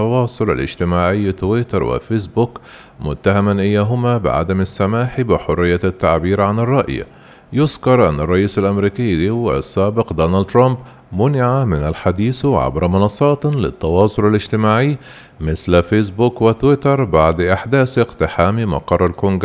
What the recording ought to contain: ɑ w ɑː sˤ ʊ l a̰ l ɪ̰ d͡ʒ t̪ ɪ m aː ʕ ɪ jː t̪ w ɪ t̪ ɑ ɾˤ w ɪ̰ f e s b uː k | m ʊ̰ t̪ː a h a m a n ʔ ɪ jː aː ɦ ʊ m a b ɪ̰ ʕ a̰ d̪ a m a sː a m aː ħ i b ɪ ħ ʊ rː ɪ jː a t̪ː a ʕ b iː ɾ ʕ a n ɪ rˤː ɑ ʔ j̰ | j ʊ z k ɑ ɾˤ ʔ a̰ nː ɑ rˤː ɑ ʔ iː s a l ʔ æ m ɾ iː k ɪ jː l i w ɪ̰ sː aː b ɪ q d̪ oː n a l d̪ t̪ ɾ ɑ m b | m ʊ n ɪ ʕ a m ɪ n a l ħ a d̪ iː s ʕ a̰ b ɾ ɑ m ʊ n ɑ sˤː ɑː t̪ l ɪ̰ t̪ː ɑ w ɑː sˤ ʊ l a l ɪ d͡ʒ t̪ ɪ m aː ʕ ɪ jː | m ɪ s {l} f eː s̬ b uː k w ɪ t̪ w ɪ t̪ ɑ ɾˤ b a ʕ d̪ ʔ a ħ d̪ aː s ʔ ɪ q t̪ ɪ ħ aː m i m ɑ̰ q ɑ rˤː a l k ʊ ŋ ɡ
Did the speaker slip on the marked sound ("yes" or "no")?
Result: no